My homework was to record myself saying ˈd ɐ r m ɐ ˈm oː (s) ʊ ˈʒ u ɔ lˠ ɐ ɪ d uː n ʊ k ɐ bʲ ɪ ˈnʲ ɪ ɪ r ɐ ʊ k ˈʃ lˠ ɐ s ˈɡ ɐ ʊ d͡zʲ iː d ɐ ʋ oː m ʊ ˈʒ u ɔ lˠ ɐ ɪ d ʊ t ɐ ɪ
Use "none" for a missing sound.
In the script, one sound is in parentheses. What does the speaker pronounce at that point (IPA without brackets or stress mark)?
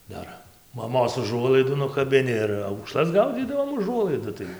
s